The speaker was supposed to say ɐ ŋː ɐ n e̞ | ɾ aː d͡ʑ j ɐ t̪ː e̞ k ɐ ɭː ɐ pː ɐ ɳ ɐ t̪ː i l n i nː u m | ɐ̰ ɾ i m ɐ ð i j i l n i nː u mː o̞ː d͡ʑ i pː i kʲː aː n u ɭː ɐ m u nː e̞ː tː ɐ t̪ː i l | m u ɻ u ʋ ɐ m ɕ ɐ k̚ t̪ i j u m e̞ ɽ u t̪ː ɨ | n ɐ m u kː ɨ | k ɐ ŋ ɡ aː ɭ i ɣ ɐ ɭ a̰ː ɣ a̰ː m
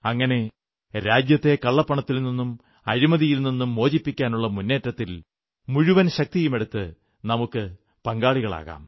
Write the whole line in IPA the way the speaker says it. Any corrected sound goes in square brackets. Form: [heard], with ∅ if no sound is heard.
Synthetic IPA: ɐ ŋː ɐ n e̞ | ɾ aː d͡ʑ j ɐ t̪ː e̞ k ɐ ɭː ɐ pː ɐ ɳ ɐ t̪ː i l n i nː u m | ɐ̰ ɾ i m ɐ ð i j i l n i nː u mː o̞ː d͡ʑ i pː i kʲː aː n u ɭː ɐ m u nː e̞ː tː ɐ t̪ː i l | m u ɻ u ʋ ɐ [n] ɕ ɐ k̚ t̪ i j u m e̞ ɽ u t̪ː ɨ | n ɐ m u kː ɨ | [p] ɐ ŋ ɡ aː ɭ i ɣ ɐ ɭ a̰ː ɣ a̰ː m